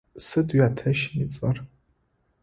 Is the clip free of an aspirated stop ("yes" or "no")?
no